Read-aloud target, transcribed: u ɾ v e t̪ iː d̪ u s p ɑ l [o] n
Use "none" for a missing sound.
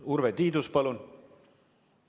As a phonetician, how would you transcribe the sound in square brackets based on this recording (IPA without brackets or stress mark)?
u